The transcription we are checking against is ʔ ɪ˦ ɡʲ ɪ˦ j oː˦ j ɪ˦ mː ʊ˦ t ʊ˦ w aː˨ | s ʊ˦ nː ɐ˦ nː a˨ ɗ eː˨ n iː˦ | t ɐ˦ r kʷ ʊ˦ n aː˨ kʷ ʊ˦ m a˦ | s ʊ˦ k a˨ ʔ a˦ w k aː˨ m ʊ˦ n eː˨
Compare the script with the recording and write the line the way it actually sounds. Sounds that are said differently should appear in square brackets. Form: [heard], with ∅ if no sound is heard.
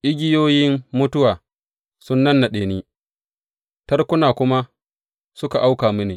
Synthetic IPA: ʔ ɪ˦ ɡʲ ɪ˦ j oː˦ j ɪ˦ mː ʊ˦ t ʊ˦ w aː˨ | s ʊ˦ nː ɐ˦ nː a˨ ɗ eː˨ n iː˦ | t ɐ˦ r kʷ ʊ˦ n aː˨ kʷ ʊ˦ m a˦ | s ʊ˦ k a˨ ʔ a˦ w k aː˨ m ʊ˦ n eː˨